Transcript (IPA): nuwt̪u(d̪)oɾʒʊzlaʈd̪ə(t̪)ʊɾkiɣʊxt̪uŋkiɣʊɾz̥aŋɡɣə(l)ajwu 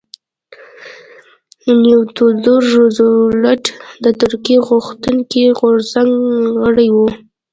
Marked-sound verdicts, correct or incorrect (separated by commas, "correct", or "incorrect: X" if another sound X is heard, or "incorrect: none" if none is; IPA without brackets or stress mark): correct, correct, incorrect: ɽ